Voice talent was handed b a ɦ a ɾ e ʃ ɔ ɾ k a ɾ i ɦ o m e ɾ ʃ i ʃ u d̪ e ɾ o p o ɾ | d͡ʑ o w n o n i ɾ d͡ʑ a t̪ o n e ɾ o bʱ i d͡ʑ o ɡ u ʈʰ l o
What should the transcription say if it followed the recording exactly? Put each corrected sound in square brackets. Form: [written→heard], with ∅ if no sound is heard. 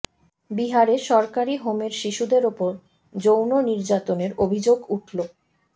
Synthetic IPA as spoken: b [a→i] ɦ a ɾ e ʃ ɔ ɾ k a ɾ i ɦ o m e ɾ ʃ i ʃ u d̪ e ɾ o p o ɾ | d͡ʑ o w n o n i ɾ d͡ʑ a t̪ o n e ɾ o bʱ i d͡ʑ o ɡ u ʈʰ l o